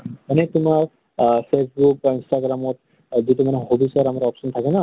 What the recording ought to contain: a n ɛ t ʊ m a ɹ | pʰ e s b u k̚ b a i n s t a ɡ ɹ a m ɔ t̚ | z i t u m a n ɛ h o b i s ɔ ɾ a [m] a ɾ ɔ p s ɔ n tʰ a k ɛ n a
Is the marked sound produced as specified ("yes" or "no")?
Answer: yes